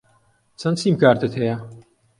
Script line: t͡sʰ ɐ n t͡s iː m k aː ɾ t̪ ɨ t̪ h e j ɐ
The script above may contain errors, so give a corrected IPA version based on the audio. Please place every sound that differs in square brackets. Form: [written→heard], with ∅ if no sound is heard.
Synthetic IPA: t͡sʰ ɐ n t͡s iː m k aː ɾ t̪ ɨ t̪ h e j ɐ